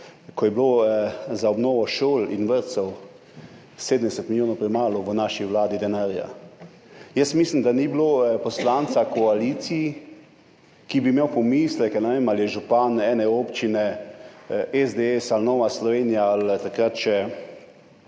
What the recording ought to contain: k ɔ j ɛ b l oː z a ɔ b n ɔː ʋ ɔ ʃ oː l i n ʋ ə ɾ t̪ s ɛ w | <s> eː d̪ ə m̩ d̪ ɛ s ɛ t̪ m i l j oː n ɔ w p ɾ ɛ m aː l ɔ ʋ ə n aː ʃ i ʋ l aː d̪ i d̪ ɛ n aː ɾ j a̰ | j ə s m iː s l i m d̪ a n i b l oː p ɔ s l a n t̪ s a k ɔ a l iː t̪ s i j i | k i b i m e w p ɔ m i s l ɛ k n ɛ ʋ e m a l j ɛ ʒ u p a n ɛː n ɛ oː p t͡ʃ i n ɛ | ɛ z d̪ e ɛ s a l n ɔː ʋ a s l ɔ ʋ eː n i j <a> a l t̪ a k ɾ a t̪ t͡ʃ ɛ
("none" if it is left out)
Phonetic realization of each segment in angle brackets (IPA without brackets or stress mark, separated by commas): s, a